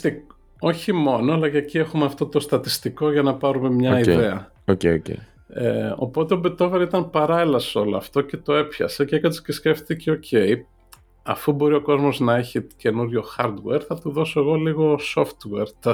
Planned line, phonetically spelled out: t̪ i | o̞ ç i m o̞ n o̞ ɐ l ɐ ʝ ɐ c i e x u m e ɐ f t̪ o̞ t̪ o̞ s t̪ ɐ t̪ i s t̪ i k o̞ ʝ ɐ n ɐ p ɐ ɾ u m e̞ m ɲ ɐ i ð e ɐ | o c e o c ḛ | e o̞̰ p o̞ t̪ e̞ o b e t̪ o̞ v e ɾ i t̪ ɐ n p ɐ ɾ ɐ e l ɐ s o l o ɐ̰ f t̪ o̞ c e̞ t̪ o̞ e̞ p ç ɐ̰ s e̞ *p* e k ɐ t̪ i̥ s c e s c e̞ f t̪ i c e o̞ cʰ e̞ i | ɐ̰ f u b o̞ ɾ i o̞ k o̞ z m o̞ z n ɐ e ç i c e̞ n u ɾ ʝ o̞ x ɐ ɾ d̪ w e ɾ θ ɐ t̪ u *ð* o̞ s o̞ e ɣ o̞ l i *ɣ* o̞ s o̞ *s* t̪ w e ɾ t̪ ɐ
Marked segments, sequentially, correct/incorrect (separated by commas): incorrect, correct, correct, incorrect